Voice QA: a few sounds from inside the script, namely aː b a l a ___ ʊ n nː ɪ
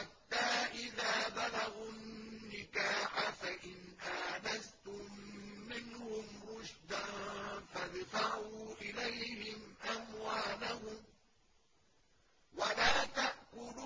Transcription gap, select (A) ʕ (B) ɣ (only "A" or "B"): B